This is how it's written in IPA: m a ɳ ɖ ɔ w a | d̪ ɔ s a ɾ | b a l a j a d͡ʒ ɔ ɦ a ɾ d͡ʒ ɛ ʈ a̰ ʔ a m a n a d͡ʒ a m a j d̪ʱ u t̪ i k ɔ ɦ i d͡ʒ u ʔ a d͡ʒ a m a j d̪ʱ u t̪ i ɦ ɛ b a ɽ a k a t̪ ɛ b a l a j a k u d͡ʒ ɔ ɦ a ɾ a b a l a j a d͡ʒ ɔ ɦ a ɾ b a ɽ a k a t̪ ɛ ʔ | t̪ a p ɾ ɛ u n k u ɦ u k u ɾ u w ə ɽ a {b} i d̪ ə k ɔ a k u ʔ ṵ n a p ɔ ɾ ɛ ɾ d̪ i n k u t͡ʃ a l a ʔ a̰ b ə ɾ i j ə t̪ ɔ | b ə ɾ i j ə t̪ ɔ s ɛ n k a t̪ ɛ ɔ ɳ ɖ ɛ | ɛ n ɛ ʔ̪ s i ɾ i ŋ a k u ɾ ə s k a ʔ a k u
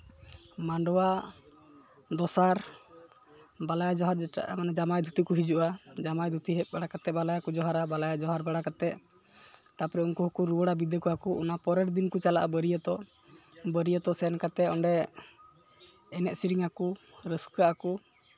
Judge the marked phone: correct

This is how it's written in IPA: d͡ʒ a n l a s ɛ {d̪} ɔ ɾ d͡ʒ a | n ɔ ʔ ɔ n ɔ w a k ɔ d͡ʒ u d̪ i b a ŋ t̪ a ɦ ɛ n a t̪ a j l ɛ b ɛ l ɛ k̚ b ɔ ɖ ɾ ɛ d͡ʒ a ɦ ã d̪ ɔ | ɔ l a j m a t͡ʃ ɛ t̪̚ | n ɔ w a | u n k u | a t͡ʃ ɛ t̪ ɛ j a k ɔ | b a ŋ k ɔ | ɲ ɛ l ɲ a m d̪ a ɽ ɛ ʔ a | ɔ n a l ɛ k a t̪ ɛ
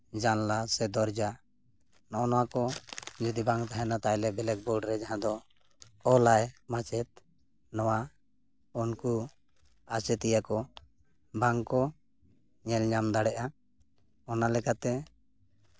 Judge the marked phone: correct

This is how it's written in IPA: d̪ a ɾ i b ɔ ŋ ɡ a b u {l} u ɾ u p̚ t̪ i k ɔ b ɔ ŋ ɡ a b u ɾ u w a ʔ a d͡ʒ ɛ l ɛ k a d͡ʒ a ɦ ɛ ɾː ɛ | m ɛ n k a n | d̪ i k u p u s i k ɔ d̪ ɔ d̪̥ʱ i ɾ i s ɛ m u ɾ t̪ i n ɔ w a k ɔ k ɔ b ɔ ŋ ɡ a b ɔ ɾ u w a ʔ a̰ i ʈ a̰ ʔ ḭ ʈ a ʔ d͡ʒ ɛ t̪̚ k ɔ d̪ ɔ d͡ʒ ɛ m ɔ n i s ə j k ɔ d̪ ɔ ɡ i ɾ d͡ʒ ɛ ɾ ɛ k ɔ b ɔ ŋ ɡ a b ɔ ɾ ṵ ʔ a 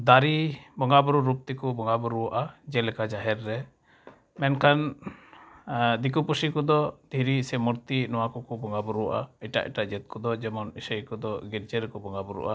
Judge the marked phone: incorrect: ɾ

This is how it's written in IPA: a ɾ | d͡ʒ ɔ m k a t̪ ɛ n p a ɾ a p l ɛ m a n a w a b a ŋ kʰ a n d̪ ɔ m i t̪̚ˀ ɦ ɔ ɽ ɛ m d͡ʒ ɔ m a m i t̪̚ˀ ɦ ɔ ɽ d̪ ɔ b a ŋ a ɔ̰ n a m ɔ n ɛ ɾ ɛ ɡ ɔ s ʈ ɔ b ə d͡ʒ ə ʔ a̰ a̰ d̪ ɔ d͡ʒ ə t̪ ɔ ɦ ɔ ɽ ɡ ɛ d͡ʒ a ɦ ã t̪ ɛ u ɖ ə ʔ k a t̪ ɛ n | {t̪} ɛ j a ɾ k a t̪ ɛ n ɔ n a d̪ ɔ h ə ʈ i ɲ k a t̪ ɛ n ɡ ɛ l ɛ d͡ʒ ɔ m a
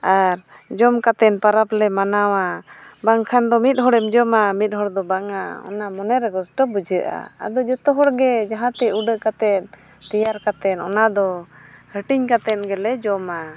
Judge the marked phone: correct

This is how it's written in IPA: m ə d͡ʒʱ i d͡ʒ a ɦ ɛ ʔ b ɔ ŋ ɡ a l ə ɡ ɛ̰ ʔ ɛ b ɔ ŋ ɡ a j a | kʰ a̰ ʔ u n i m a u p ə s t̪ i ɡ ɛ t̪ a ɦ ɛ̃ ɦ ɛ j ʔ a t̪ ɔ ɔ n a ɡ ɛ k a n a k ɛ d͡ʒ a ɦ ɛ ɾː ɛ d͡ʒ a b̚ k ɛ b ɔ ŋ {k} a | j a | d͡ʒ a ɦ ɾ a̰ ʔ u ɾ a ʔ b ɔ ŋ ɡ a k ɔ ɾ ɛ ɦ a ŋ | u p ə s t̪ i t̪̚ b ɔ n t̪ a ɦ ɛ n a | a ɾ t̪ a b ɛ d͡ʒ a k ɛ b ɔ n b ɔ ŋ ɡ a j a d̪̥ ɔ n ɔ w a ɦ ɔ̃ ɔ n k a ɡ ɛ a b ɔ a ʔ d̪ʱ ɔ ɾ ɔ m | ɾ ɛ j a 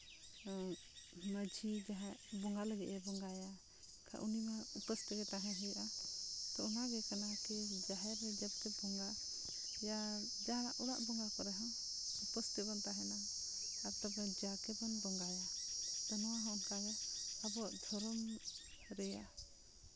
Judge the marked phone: incorrect: ɡ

